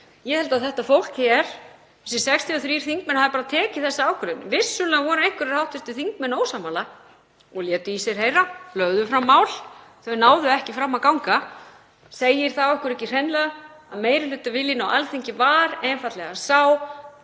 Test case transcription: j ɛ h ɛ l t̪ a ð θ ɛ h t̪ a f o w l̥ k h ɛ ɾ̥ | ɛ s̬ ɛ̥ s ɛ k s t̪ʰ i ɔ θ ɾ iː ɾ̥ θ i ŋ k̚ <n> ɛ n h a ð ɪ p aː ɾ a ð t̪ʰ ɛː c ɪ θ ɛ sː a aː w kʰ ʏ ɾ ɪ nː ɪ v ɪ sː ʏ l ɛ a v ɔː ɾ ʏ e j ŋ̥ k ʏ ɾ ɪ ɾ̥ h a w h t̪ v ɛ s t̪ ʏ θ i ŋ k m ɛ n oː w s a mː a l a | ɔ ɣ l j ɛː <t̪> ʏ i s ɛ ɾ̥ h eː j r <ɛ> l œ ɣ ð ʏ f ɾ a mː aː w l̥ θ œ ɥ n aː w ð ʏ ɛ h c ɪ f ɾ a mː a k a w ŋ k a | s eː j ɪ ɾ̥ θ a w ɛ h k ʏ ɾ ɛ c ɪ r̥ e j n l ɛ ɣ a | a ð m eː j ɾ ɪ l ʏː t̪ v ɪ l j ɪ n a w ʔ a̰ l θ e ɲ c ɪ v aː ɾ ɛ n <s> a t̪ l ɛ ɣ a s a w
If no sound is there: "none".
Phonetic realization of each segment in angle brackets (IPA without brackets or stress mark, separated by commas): m, t̪, a, f